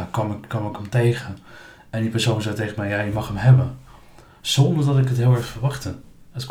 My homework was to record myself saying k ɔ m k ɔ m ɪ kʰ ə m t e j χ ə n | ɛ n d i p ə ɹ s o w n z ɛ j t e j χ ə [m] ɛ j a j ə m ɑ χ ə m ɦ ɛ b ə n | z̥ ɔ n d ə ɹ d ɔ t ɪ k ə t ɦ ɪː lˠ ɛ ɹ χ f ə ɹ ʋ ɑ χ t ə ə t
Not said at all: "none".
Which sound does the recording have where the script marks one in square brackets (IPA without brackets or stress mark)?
m